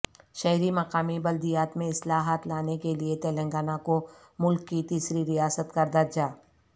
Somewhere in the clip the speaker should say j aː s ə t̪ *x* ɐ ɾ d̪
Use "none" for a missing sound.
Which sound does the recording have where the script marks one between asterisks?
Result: k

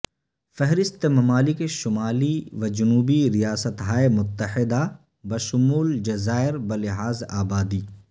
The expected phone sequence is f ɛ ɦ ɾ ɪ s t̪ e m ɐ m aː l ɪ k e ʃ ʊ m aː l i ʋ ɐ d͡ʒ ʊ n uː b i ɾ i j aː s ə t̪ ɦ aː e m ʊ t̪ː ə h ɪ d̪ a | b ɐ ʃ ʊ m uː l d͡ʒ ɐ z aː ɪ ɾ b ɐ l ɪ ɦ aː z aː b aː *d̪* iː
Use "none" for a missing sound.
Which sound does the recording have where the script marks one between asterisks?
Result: d̪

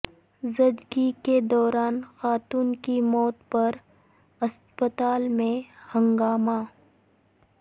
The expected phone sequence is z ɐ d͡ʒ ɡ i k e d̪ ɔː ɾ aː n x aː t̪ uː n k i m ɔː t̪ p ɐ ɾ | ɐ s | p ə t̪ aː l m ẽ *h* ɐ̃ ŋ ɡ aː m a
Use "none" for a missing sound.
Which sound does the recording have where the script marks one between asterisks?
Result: h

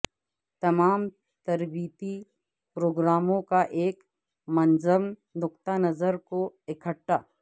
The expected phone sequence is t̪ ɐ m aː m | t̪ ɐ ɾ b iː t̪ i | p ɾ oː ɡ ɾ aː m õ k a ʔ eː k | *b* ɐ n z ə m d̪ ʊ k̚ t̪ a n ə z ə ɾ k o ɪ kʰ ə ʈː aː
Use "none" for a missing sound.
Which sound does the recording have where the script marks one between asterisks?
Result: m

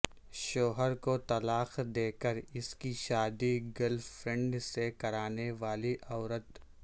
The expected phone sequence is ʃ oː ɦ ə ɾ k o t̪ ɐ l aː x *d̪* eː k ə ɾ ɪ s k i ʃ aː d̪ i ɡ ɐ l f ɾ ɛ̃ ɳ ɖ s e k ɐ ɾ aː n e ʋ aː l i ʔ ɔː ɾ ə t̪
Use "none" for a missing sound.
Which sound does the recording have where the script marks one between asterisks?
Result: d̪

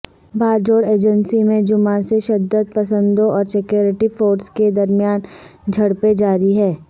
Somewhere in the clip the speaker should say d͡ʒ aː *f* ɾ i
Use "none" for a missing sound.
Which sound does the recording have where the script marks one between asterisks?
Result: none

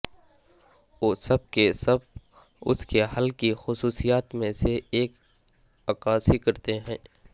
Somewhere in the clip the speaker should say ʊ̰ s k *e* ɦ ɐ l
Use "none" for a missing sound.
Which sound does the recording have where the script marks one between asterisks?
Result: e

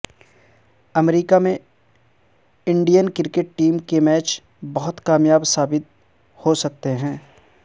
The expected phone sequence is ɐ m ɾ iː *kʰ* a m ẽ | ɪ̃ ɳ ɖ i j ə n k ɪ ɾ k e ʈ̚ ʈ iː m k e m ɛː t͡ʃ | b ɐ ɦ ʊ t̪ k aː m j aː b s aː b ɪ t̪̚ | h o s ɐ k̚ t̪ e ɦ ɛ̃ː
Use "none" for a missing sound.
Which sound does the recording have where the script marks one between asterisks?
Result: k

